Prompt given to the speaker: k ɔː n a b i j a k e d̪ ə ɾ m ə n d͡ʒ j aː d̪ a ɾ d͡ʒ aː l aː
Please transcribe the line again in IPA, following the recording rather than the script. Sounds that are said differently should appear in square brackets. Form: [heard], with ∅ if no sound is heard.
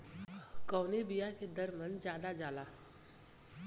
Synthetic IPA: k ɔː n [e] b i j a k e d̪ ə ɾ m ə n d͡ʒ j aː d̪ a [∅] d͡ʒ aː l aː